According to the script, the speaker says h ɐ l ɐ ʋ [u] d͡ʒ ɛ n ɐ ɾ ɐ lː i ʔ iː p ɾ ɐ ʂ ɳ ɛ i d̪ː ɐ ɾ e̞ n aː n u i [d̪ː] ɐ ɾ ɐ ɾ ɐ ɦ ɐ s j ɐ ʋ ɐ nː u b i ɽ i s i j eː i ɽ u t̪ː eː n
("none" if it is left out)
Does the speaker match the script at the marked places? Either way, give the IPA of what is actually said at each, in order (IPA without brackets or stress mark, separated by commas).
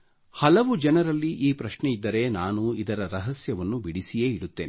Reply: u, d̪